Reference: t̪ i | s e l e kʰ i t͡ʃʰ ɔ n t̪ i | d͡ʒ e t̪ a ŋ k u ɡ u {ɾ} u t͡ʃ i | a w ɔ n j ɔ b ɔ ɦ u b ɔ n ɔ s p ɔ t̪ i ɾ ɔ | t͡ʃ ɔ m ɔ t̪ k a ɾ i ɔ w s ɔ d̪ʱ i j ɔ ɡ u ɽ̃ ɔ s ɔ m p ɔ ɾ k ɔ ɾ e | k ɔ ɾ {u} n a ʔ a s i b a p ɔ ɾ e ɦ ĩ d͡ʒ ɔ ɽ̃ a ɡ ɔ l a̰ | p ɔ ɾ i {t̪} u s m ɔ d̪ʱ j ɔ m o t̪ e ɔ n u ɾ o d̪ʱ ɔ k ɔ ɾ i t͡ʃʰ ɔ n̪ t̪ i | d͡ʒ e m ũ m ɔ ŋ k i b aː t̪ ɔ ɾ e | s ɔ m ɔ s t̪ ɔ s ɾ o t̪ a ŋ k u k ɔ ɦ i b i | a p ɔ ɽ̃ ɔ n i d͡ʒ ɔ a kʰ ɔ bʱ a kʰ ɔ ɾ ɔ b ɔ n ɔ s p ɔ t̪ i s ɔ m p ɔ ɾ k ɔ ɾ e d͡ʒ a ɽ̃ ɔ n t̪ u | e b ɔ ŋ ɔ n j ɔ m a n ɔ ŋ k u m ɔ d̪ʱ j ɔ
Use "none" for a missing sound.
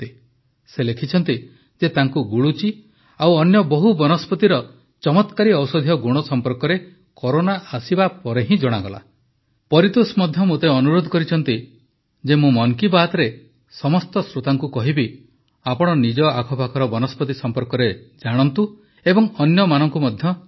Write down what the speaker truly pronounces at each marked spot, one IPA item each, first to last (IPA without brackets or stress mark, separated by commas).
ɭ, o, t̪